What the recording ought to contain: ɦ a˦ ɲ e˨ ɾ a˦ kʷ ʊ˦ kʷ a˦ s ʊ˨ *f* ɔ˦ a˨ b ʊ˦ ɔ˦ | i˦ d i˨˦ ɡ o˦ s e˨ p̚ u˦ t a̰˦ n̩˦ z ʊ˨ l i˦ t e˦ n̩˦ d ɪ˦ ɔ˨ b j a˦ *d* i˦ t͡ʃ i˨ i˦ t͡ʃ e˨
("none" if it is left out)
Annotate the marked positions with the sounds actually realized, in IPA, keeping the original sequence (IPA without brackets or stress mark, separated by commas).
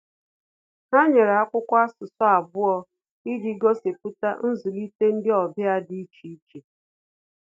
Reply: s, d